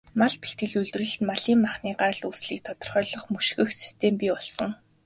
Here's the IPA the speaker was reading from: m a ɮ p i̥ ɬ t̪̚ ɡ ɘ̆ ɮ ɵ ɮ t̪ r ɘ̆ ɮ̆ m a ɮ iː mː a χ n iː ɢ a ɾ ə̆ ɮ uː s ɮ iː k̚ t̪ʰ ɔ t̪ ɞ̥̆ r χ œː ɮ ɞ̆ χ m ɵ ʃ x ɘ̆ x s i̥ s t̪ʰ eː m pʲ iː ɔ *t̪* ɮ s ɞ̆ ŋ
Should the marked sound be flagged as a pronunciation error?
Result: yes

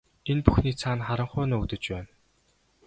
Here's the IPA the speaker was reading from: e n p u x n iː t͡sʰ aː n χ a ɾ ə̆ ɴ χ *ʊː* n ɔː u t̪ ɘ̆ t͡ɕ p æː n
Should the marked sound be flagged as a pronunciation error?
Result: no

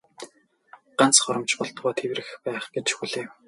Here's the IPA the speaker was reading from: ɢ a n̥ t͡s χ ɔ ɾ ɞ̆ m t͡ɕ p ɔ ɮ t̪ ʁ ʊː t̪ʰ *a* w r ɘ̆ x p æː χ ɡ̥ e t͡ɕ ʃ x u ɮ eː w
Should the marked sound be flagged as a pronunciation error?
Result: yes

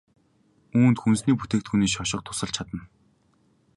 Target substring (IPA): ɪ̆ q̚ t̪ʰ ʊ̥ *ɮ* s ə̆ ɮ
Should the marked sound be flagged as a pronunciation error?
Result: yes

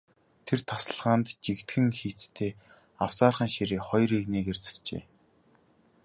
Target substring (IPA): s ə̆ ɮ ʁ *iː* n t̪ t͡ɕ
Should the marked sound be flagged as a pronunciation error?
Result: yes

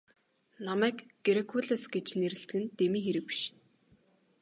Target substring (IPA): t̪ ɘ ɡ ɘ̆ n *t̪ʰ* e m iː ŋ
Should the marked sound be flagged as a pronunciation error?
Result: yes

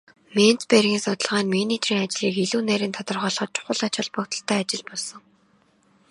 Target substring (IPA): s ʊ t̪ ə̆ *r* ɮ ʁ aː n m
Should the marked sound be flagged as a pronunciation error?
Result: yes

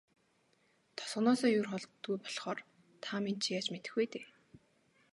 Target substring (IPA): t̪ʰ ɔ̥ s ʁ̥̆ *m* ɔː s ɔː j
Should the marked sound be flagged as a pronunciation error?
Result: yes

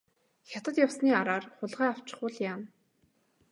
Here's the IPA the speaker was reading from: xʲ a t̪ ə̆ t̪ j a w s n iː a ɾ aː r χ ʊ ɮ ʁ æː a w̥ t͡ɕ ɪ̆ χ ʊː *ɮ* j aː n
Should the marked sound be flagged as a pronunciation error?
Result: no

